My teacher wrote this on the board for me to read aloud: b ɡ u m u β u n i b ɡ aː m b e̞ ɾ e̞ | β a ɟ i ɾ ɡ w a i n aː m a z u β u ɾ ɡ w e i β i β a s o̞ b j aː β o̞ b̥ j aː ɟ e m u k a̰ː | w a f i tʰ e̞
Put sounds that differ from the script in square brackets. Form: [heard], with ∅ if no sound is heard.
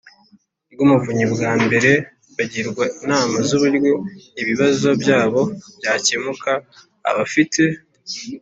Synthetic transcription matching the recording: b ɡ u m u [v] u [ɲ] i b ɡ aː m b e̞ ɾ e̞ | β a ɟ i ɾ ɡ w a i n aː m a z u β u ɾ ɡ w e i β i β a [z] o̞ b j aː β o̞ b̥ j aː [c] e m u k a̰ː | [β] a f i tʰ e̞

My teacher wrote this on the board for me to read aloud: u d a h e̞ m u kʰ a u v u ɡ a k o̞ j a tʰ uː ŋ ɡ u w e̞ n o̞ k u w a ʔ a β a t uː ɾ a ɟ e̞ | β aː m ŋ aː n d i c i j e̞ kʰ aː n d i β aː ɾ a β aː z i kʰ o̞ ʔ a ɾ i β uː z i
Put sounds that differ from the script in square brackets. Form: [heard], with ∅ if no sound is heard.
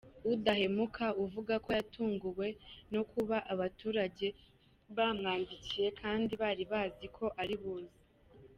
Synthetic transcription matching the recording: u d a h e̞ m u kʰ a u v u ɡ a k o̞ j a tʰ uː ŋ ɡ u w e̞ n o̞ k u [β] a ʔ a β a t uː ɾ a ɟ e̞ | β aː m ŋ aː n d i c i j e̞ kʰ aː n d i β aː ɾ [i] β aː z i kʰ o̞ ʔ a ɾ i β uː z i

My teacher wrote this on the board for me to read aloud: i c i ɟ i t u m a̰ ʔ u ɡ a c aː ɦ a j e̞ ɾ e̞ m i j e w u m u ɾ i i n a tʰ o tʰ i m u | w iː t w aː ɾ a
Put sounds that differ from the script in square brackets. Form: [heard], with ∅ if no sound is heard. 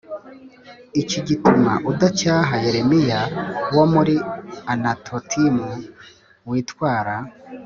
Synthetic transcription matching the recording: i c i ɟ i t u m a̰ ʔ u [d] a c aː ɦ a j e̞ ɾ e̞ m i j [a] w [o] m u ɾ i [a] n a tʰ o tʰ i m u | w iː t w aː ɾ a

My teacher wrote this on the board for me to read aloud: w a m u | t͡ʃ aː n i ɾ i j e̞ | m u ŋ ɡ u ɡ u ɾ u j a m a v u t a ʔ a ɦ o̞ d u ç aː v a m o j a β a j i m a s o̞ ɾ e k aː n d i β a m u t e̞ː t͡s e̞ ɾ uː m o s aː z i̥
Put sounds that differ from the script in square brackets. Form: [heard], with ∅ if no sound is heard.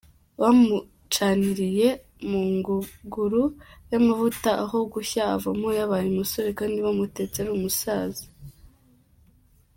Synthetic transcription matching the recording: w a m u | t͡ʃ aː n i ɾ i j e̞ | m u ŋ ɡ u ɡ u ɾ u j a m a v u t a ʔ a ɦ o̞ [ɡ] u ç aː v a m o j a β a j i m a s o̞ ɾ e k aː n d i β a m u t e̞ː t͡s e̞ ɾ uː m [u] s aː z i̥

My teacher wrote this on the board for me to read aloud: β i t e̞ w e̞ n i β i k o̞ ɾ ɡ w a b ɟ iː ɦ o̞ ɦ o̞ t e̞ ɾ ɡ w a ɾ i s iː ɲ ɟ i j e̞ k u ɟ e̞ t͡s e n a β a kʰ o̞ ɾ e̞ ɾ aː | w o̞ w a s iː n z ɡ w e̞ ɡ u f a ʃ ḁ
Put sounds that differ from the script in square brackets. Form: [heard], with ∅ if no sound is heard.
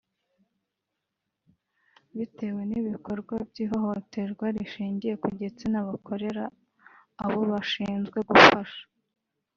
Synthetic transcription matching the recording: β i t e̞ w e̞ n i β i k o̞ ɾ ɡ w a b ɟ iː ɦ o̞ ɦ o̞ t e̞ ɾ ɡ w a ɾ i [ʃ] iː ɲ ɟ i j e̞ k u ɟ e̞ t͡s e n a β a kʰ o̞ ɾ e̞ ɾ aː | [β] o̞ [β] a [ʃ] iː n z ɡ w e̞ ɡ u f a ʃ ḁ

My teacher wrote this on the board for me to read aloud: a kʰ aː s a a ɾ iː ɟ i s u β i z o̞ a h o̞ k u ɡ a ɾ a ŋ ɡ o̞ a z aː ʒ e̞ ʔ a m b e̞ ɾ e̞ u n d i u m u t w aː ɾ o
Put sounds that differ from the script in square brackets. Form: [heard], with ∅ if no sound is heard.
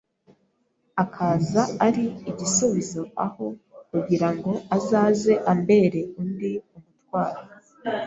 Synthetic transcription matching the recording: a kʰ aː [z] a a ɾ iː ɟ i s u β i z o̞ a h o̞ k u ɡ [i] ɾ a ŋ ɡ o̞ a z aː [z] e̞ ʔ a m b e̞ ɾ e̞ u n d i u m u t w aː ɾ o

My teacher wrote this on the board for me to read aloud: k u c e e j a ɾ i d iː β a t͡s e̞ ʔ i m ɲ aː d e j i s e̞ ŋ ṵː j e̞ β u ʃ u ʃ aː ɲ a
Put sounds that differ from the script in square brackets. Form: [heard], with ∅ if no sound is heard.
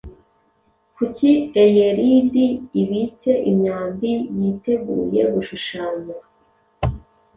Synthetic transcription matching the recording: k u c [i] e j [e] ɾ i d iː β [i] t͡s e̞ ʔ i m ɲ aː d [i] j i [t] e̞ [ɡ] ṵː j e̞ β u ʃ u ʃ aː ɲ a

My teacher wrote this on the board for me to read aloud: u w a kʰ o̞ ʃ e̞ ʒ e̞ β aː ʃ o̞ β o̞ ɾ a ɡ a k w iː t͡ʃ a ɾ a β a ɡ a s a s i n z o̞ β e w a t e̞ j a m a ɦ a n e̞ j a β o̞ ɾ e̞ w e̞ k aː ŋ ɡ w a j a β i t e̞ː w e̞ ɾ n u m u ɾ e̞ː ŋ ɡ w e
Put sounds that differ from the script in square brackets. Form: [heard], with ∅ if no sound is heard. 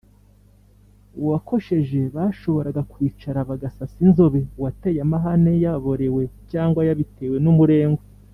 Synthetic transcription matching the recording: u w a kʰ o̞ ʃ e̞ ʒ e̞ β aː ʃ o̞ β o̞ ɾ a ɡ a k w iː t͡ʃ a ɾ a β a ɡ a s a s i n z o̞ β e w a t e̞ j a m a ɦ a n e̞ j a β o̞ ɾ e̞ w e̞ [c] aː ŋ ɡ w a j a β i t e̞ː w e̞ [∅] n u m u ɾ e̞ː ŋ ɡ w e

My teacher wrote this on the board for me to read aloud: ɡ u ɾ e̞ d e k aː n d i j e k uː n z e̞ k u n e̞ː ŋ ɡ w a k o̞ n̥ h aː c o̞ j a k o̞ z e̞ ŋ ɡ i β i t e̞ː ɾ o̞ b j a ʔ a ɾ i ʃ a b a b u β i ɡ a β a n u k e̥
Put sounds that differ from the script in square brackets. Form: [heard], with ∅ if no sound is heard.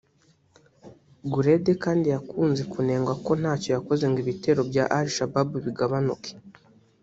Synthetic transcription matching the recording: ɡ u ɾ e̞ d e k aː n d i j [a] k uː n z e̞ k u n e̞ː ŋ ɡ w a k o̞ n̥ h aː c o̞ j a k o̞ z e̞ ŋ ɡ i β i t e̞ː ɾ o̞ b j a ʔ a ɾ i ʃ a b a b u β i ɡ a β a n u k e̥

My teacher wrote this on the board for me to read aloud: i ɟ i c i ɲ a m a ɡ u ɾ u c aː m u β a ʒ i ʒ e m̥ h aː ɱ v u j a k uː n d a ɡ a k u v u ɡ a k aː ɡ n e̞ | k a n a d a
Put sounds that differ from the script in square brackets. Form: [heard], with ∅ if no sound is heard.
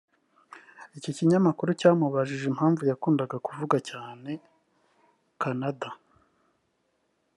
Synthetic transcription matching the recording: i [c] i c i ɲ a m a [k] u ɾ u c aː m u β a ʒ i ʒ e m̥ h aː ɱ v u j a k uː n d a ɡ a k u v u ɡ a [c] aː [∅] n e̞ | k a n a d a

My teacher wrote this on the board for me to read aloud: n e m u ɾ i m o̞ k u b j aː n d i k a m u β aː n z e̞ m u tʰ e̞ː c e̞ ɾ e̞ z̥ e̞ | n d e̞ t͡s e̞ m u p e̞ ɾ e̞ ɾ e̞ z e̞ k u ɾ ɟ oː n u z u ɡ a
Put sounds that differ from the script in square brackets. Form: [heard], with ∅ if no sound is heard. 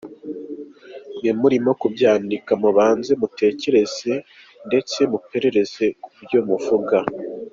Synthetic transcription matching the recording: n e m u ɾ i m o̞ k u b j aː n d i k a m u β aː n z e̞ m u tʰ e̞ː c e̞ ɾ e̞ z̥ e̞ | n d e̞ t͡s e̞ m u p e̞ ɾ e̞ ɾ e̞ z e̞ k u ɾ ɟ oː [m] u [v] u ɡ a

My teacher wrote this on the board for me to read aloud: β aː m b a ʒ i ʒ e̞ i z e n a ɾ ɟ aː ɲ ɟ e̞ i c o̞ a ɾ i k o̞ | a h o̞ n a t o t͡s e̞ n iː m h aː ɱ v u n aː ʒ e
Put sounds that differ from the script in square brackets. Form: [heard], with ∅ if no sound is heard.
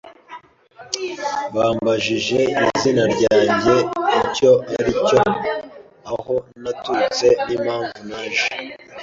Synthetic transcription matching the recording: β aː m b a ʒ i ʒ e̞ i z [i] n a ɾ ɟ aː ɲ ɟ e̞ i c o̞ a ɾ i [c] o̞ | a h o̞ n a t [u] t͡s e̞ n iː m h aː ɱ v u n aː ʒ e

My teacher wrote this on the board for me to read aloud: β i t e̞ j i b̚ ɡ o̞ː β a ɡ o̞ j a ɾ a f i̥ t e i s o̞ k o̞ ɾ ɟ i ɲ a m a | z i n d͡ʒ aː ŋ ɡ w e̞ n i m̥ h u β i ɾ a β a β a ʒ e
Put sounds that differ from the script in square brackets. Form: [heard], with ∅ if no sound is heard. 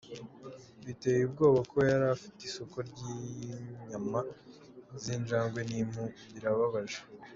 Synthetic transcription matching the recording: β i t e̞ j i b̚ ɡ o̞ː β a [k] o̞ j a ɾ a f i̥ t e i s o̞ k o̞ ɾ ɟ i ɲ a m a | z i n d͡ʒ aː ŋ ɡ w e̞ n i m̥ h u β i ɾ a β a β a ʒ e

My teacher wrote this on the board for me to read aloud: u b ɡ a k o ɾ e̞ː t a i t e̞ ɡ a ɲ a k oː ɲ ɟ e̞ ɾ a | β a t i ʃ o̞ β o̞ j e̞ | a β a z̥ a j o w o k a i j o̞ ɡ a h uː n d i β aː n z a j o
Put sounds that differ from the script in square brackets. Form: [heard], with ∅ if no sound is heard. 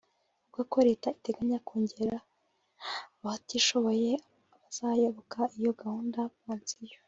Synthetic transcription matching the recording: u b ɡ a k o ɾ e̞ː t a i t e̞ ɡ a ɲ a k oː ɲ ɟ e̞ ɾ a | β a t i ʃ o̞ β o̞ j e̞ | a β a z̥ a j o [β] o k a i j o̞ ɡ a h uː n d [a] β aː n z [i] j o

